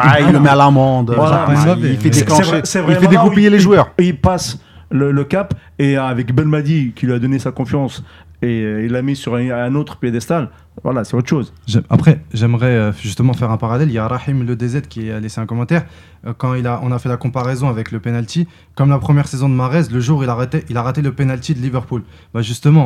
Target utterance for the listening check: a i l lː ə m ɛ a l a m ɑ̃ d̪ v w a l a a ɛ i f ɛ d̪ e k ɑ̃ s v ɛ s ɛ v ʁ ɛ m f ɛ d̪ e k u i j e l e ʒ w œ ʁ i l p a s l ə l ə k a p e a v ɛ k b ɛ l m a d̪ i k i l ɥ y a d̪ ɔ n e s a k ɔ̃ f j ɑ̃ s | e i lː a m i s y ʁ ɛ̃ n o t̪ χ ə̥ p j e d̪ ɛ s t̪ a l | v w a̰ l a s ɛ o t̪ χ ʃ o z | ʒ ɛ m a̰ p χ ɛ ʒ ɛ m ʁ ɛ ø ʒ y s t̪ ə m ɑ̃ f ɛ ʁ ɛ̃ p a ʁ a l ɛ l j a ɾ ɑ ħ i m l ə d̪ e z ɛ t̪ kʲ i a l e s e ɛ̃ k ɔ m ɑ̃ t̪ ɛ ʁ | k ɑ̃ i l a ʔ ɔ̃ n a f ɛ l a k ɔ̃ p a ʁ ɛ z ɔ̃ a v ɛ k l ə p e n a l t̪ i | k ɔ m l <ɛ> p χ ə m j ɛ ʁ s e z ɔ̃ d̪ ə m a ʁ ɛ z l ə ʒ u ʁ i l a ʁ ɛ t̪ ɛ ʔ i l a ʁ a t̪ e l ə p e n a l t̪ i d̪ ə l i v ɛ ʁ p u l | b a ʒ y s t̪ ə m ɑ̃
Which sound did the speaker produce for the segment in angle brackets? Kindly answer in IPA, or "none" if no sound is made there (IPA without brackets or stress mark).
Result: a